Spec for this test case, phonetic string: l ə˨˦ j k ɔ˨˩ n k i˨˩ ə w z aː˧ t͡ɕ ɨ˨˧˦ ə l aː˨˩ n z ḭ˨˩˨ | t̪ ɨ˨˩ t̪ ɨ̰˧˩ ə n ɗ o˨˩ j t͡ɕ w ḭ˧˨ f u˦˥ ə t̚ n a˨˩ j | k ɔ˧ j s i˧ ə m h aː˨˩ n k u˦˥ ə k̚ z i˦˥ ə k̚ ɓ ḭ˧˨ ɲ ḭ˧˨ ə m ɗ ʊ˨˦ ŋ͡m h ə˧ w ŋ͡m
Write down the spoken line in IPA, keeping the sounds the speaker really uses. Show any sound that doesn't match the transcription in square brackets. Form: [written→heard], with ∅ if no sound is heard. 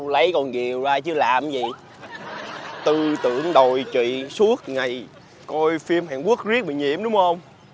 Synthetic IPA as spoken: l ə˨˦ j k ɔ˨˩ n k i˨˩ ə w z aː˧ t͡ɕ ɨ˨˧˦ ə l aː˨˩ [n→m] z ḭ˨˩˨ | t̪ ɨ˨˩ t̪ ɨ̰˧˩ ə [n→ŋ] ɗ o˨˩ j t͡ɕ w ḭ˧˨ [f→s] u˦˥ ə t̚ [n→ŋ] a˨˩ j | k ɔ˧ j [s→f] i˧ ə m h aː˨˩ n k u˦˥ ə k̚ z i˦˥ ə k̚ ɓ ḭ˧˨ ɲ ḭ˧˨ ə m ɗ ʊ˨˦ ŋ͡m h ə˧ w ŋ͡m